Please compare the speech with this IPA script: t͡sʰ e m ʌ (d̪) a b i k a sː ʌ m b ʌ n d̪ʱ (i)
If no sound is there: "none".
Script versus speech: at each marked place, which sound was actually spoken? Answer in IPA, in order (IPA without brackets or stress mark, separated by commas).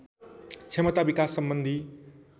t̪, i